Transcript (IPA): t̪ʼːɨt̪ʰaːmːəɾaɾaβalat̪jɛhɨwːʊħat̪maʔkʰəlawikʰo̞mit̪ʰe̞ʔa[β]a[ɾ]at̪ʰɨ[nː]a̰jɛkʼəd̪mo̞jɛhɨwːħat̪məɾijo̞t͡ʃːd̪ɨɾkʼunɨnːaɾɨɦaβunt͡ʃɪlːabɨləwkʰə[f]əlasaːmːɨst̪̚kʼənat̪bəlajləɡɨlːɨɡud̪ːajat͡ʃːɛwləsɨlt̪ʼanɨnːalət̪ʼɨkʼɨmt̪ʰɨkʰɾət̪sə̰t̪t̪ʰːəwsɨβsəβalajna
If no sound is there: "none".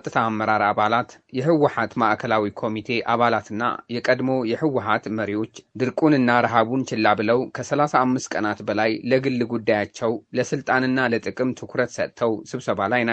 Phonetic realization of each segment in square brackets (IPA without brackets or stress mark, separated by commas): β, l, nː, s